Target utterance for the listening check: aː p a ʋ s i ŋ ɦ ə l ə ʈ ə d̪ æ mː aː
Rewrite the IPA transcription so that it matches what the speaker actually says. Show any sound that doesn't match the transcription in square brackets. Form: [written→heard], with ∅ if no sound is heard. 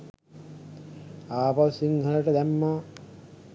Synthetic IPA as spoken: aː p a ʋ s i ŋ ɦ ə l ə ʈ ə d̪ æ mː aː